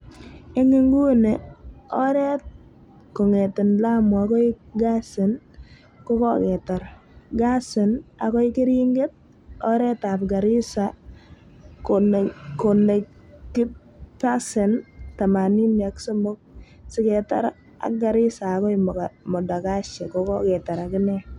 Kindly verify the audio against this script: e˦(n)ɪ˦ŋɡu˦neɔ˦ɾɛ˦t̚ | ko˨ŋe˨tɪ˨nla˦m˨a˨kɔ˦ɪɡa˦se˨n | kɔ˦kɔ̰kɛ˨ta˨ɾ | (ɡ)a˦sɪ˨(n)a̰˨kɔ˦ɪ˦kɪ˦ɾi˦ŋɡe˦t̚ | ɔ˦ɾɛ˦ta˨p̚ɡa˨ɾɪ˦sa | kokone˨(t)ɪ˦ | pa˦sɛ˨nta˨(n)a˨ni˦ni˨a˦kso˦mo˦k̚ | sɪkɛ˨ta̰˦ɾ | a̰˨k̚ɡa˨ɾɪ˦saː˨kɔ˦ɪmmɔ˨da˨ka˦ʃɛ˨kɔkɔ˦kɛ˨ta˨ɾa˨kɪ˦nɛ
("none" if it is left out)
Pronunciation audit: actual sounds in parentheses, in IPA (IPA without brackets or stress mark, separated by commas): ŋ, ɡ, n, k, m